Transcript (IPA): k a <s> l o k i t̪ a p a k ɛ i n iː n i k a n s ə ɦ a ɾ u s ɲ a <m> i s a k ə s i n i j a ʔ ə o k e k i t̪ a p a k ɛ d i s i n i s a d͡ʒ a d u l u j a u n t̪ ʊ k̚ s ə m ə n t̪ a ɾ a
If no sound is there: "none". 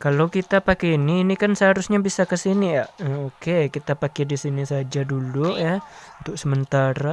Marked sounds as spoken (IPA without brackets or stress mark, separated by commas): none, b